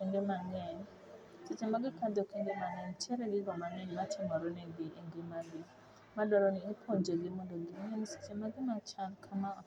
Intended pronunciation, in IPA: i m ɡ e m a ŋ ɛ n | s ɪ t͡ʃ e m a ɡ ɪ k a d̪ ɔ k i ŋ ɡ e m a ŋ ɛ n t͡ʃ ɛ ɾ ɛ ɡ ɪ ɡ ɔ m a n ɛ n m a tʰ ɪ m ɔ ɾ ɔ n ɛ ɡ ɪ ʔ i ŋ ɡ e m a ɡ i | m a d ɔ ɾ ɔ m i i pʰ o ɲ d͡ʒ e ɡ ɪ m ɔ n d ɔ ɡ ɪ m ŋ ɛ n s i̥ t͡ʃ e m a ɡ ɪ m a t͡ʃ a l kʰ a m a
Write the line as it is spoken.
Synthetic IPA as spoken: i ŋ ɡ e m a ŋ ɛ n | s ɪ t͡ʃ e m a ɡ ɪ k a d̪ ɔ k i ŋ ɡ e m a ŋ ɛ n t͡ʃ ɛ ɾ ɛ ɡ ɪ ɡ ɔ m a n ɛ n m a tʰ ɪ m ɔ ɾ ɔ n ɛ ɡ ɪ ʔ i ŋ ɡ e m a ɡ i | m a d ɔ ɾ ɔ n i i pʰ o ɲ d͡ʒ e ɡ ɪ m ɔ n d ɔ ɡ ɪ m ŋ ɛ n s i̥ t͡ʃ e m a ɡ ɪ m a t͡ʃ a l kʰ a m a